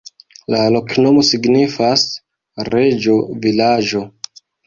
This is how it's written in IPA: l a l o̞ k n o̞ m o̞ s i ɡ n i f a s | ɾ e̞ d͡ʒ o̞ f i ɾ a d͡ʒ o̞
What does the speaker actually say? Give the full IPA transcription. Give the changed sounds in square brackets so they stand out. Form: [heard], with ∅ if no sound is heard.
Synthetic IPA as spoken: l a l o̞ k n o̞ m o̞ s i ɡ n i f a s | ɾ e̞ d͡ʒ o̞ [v] i [l] a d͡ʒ o̞